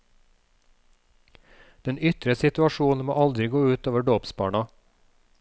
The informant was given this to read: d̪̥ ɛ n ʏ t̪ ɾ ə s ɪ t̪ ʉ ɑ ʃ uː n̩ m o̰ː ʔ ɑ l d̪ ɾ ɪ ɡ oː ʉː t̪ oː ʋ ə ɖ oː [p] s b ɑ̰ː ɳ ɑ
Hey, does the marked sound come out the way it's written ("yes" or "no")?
yes